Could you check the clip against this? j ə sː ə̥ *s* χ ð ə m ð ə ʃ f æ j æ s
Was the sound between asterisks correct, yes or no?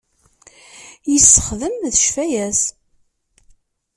no